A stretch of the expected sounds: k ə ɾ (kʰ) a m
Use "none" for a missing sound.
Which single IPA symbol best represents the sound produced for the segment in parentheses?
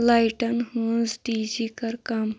k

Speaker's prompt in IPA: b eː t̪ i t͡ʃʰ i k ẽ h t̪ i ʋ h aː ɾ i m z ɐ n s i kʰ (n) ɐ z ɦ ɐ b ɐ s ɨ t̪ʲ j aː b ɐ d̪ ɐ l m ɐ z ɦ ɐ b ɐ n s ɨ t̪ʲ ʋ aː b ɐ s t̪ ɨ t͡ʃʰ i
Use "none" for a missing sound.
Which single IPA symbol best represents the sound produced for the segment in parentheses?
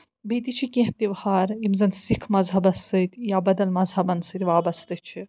m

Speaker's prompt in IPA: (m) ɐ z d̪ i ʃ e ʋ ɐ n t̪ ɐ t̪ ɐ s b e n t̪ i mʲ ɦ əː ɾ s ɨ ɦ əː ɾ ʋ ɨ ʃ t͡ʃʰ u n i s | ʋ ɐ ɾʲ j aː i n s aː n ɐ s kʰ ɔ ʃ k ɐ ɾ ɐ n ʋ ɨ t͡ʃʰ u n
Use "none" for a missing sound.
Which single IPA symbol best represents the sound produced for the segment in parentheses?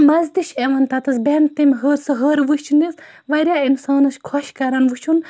m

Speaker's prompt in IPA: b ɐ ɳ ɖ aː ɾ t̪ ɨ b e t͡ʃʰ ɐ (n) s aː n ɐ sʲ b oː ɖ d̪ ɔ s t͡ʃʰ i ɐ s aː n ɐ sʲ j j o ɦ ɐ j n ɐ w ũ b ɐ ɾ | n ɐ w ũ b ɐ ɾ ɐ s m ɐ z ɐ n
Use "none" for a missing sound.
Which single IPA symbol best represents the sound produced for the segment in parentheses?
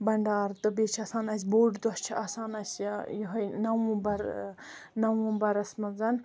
none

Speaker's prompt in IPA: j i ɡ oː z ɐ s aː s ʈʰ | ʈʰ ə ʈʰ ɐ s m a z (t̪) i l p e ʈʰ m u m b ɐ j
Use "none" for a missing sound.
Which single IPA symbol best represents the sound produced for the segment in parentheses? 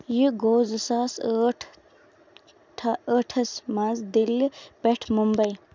d̪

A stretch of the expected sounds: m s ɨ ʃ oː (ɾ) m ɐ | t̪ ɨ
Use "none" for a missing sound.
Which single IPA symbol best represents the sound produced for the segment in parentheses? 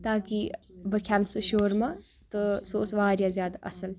ɾ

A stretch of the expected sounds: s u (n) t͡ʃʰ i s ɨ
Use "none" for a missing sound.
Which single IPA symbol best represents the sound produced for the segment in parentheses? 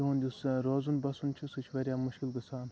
n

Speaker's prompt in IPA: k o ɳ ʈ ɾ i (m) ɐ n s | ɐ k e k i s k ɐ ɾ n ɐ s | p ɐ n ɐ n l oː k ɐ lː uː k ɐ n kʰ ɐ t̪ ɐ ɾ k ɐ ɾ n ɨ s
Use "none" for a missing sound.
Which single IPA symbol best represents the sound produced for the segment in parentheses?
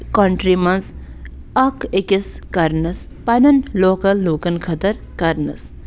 m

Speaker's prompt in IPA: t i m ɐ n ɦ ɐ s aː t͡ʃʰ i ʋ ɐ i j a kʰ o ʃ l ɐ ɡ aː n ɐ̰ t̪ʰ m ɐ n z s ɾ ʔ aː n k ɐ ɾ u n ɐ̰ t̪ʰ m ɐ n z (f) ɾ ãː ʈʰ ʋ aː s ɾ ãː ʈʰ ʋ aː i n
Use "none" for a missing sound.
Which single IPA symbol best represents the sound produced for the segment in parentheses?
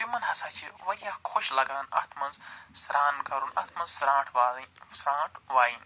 s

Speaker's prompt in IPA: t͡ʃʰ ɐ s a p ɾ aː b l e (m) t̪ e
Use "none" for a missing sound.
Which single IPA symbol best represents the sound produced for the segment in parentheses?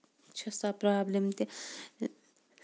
m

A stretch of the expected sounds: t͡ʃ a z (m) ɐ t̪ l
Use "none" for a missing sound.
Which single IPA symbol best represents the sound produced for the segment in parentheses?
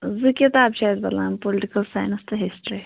b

